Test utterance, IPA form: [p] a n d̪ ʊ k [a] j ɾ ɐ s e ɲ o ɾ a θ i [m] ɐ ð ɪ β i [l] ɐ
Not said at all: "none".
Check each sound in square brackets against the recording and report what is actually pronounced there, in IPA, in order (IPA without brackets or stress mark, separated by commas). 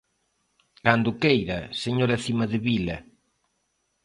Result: k, e, m, l